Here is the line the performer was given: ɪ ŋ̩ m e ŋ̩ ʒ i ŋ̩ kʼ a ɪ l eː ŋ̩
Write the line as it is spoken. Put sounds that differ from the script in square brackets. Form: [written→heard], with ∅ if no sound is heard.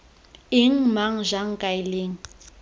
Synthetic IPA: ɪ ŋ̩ m [e→a] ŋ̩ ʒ [i→a] ŋ̩ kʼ a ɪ l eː ŋ̩

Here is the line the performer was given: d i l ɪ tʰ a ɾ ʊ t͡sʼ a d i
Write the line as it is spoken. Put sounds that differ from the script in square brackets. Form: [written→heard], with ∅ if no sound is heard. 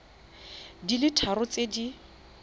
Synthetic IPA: d i l ɪ tʰ a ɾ ʊ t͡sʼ [a→e] d i

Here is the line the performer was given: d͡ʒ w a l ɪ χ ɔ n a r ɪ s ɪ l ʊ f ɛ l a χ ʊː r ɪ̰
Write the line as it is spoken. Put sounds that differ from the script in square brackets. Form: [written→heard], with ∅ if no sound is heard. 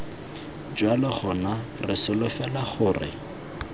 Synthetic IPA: d͡ʒ w a l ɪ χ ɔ n a r ɪ s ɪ l ʊ f ɛ l a χ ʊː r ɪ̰

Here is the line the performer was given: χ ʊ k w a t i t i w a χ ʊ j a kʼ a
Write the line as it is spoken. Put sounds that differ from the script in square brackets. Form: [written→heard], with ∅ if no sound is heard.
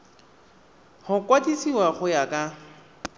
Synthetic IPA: [χ→h] ʊ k w a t i [t→s] i w a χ ʊ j a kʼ a

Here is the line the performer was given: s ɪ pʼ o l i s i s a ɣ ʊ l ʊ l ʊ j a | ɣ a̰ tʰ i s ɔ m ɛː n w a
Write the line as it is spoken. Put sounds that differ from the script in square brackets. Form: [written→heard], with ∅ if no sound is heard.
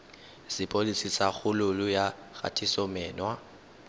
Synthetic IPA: s ɪ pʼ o l i s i s a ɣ ʊ l ʊ l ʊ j a | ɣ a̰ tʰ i s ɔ m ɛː n w a

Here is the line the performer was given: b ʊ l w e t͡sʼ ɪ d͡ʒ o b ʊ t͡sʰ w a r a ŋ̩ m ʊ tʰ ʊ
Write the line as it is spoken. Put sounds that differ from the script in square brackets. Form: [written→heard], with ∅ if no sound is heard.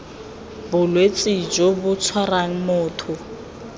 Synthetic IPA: b ʊ l w e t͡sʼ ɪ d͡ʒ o b ʊ t͡sʰ w a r a ŋ̩ m [ʊ→ʊː] tʰ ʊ

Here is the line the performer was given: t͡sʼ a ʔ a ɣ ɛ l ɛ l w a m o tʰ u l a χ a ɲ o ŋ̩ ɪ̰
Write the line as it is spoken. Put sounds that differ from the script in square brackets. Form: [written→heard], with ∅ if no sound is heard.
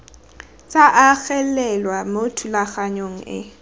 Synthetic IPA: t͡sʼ a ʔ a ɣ ɛ l ɛ l w a m o tʰ u l a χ a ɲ o ŋ̩ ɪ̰

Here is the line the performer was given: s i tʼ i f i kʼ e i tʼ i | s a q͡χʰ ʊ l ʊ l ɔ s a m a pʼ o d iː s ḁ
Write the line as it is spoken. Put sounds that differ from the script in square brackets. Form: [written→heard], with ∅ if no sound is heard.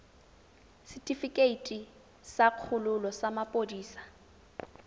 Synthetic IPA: s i tʼ i f i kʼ e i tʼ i | s a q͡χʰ ʊ l ʊ l ɔ s a m a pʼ o d iː s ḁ

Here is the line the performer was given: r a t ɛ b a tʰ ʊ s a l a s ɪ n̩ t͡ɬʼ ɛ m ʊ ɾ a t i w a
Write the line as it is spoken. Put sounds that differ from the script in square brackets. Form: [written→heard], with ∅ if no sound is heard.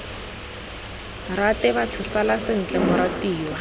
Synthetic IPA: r a t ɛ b a tʰ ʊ s a l a s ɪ n̩ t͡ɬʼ ɛ m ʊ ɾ a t [i→iː] w a

